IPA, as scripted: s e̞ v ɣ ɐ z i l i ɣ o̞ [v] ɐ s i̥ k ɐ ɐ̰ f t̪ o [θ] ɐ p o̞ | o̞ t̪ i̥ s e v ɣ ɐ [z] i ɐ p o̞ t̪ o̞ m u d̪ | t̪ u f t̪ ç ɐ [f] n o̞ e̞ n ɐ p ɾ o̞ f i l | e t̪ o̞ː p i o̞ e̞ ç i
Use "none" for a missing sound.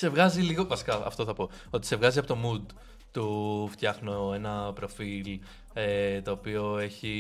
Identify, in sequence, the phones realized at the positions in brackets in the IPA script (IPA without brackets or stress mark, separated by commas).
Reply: v, θ, z, x